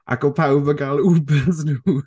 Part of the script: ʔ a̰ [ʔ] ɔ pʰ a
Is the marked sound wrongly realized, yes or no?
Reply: yes